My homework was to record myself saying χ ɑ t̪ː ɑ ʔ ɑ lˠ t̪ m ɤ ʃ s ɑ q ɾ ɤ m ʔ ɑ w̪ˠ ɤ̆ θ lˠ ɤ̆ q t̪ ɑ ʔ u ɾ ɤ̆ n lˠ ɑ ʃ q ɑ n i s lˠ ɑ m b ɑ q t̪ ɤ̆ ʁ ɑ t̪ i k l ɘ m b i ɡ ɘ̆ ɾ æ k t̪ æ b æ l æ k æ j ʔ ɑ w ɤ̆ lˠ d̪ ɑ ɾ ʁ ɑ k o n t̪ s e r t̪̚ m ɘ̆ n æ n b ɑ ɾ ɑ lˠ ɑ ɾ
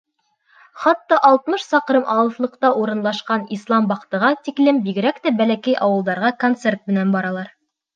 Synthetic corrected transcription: χ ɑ t̪ː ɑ ʔ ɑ lˠ t̪ m ɤ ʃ s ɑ q ɾ ɤ m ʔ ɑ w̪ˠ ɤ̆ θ lˠ ɤ̆ q t̪ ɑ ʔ u ɾ ɤ̆ n lˠ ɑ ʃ q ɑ n i s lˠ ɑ m b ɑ q t̪ ɤ̆ ʁ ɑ t̪ i k l ɘ m b i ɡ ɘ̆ ɾ æ k t̪ æ b æ l æ k æ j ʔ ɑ w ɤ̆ lˠ d̪ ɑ ɾ ʁ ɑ k o n t̪ s e r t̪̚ m ɘ̆ n æ n b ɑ ɾ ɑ lˠ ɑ ɾ